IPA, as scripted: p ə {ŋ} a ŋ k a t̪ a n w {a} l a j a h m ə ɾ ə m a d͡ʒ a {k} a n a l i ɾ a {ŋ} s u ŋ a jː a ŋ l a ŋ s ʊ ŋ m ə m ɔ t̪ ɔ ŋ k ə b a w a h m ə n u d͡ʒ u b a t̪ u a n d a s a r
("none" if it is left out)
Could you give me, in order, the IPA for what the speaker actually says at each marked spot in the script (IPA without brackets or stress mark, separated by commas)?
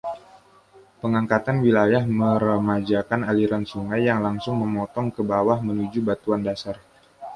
ŋ, i, k, n